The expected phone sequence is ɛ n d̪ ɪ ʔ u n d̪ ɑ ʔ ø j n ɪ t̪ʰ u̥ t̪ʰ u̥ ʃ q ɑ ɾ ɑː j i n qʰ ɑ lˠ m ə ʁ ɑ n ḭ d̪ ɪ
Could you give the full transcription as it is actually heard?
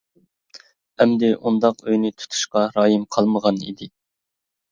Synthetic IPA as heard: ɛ m d̪ ɪ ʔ u n d̪ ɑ q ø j n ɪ t̪ʰ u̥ t̪ʰ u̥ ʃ q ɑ ɾ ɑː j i m qʰ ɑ lˠ m ə ʁ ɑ n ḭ d̪ ɪ